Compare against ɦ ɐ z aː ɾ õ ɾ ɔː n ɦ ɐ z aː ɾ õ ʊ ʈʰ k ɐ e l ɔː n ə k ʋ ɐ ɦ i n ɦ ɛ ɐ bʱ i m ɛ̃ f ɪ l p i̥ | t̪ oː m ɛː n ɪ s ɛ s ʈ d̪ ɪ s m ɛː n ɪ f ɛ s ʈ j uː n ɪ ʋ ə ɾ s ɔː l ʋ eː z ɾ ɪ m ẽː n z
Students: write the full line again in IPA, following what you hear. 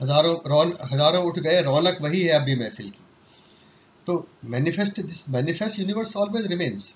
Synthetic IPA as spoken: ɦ ɐ z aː ɾ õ ɾ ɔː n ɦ ɐ z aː ɾ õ ʊ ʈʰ ɡ ɐ e ɾ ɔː n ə k ʋ ɐ ɦ i ɦ ɛ ɐ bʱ i m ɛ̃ f ɪ l k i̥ | t̪ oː m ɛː n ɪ f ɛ s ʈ d̪ ɪ s m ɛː n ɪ f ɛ s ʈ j uː n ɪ ʋ ə ɾ s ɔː l ʋ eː z ɾ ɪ m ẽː n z